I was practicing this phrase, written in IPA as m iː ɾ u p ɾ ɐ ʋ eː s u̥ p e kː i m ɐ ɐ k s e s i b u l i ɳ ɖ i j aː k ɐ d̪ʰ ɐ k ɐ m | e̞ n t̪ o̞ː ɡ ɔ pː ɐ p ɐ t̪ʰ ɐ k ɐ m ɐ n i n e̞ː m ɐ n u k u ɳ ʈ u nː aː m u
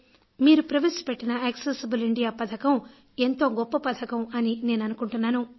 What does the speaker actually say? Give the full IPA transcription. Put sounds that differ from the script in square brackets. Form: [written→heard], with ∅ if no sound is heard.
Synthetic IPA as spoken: m iː ɾ u p ɾ ɐ ʋ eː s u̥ p e [kː→ʈː] i [m→n] ɐ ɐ k s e s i b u l i ɳ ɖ i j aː [k→p] ɐ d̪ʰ ɐ k ɐ m | e̞ n t̪ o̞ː ɡ ɔ pː ɐ p ɐ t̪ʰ ɐ k ɐ m ɐ n i n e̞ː [m→n] ɐ n u k u ɳ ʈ u nː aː [m→n] u